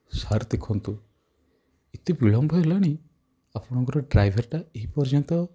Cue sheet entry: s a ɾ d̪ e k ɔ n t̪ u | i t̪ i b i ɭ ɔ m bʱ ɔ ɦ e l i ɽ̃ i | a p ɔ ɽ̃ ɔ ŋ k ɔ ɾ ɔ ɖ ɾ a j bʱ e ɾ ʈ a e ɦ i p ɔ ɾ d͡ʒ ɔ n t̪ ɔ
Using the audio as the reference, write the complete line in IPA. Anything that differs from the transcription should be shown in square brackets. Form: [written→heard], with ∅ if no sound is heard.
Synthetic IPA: s a ɾ d̪ e [k→kʰ] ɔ n t̪ u | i t̪ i b i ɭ ɔ m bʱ ɔ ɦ e l [i→a] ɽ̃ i | a p ɔ ɽ̃ ɔ ŋ k ɔ ɾ ɔ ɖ ɾ a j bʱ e ɾ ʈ a e ɦ i p ɔ ɾ d͡ʒ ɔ n t̪ ɔ